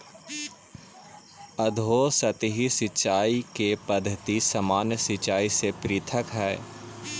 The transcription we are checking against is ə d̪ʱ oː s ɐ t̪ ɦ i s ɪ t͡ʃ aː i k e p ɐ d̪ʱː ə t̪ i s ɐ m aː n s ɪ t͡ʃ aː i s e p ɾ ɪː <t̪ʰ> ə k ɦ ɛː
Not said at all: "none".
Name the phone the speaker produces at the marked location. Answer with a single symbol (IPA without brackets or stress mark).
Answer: t̪ʰ